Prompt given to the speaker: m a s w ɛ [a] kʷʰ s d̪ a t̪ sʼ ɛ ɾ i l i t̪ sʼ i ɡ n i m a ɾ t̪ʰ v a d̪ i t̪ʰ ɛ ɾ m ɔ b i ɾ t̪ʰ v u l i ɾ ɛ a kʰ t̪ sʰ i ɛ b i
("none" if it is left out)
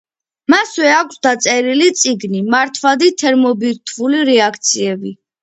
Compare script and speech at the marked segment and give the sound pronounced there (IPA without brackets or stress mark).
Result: a